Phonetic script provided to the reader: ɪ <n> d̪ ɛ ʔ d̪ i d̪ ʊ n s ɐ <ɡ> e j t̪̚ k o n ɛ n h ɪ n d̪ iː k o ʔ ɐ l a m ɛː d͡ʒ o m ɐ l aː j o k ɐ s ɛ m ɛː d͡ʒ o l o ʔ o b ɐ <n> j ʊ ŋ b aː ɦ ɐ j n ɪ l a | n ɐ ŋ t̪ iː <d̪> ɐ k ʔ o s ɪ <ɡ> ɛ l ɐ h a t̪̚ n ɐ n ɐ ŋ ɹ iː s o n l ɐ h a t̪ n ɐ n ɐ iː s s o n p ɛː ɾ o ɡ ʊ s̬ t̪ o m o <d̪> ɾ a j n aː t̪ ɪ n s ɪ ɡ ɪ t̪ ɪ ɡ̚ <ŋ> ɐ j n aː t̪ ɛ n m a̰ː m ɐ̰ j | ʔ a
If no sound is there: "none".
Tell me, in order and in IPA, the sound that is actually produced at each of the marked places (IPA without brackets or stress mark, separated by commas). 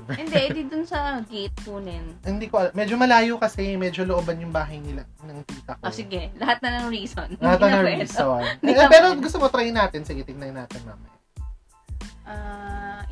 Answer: n, ɡ, n, t̪, ɡ, t̪, n